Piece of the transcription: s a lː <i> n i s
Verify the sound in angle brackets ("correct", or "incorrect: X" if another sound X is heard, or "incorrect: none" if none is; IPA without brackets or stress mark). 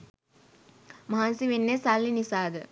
correct